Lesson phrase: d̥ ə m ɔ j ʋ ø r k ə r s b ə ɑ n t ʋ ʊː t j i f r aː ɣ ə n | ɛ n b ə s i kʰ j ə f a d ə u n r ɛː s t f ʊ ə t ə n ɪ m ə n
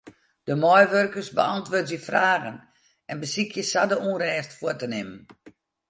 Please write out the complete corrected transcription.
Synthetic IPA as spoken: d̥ ə m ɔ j ʋ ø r k ə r s b ə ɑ n t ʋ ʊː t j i f r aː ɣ ə n | ɛ n b ə s i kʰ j ə s a d ə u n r ɛː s t f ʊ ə t ə n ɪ m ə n